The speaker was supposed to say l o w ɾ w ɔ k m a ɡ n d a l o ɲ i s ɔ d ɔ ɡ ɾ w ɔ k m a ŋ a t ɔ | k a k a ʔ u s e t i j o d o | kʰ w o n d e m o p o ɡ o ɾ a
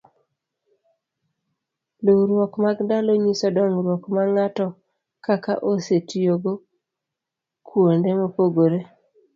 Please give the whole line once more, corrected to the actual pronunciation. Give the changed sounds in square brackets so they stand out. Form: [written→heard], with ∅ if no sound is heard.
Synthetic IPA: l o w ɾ w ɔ k m a ɡ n d a l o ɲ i s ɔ d ɔ [ɡ→ŋ] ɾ w ɔ k m a ŋ a t ɔ | k a k a ʔ [u→o] s e t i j o [d→ɡ] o | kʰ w o n d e m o p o ɡ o ɾ [a→e]